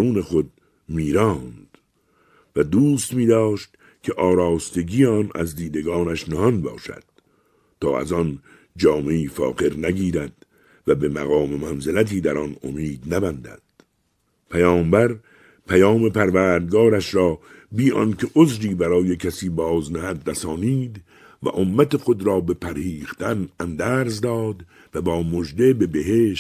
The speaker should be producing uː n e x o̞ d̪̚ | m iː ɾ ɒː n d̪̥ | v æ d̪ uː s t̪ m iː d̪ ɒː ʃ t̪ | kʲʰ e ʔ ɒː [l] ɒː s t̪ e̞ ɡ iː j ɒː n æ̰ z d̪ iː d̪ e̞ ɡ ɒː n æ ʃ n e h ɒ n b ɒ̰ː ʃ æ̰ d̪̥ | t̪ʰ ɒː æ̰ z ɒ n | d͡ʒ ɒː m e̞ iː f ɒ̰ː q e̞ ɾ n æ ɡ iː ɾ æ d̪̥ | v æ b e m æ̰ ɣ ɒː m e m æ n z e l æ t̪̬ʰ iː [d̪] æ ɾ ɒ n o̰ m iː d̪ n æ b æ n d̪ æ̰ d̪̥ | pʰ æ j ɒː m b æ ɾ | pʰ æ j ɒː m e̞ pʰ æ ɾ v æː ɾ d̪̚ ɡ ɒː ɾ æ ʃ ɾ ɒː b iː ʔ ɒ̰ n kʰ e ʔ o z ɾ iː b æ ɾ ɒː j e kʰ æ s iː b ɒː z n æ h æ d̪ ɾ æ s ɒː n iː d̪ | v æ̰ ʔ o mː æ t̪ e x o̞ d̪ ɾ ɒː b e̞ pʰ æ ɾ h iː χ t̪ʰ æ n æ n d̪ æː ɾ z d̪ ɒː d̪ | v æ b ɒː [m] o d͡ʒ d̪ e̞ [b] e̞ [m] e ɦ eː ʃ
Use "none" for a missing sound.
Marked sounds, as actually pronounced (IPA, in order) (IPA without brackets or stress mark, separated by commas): ɾ, d̪, m, b, b